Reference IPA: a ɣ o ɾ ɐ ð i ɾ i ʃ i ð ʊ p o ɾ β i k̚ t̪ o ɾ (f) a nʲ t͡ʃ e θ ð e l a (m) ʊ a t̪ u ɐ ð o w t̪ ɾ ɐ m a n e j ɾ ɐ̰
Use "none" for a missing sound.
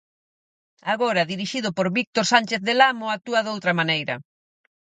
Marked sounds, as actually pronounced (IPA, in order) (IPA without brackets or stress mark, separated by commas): s, m